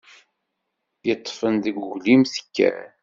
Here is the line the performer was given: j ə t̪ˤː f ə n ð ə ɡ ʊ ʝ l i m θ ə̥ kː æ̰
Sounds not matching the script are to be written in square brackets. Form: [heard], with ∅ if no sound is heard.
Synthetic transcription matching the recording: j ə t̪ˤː f ə n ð ə ɡ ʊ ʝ l i m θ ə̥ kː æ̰